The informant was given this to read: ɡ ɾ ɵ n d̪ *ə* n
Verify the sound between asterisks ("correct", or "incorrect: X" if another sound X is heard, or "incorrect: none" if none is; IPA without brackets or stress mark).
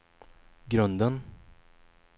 correct